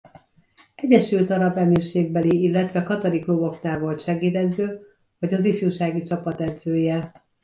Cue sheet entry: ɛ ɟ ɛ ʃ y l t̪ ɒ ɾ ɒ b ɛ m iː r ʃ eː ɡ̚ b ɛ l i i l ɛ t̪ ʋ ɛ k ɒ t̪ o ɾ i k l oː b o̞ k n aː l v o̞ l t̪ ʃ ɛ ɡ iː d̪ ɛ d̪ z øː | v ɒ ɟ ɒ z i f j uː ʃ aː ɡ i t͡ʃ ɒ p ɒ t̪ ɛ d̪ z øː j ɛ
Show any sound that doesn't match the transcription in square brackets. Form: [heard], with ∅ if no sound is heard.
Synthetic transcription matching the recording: ɛ ɟ ɛ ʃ y l t̪ ɒ ɾ ɒ b ɛ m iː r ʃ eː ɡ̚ b ɛ l i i [lː] ɛ t̪ ʋ ɛ k ɒ t̪ o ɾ i k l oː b o̞ k n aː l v o̞ l t̪ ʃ ɛ ɡ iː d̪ ɛ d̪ z øː | v ɒ ɟ ɒ z i f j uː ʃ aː ɡ i t͡ʃ ɒ p ɒ t̪ ɛ d̪ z øː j ɛ